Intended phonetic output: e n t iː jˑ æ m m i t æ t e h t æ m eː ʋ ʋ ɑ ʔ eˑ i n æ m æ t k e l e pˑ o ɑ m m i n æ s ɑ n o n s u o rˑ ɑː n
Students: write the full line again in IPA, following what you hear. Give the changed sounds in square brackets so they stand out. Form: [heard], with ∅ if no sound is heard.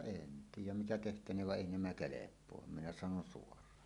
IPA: e n t iː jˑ æ m m i t æ t e h t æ [n] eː ʋ ʋ ɑ ʔ eˑ i n æ m æ [∅] k e l e pˑ o ɑ m m i n æ s ɑ n o n s u o rˑ ɑː n